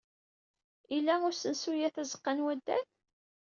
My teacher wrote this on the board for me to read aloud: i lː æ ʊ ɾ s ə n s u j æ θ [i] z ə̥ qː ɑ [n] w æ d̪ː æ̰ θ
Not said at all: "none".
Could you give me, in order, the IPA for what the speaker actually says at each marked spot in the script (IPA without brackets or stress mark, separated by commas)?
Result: æ, n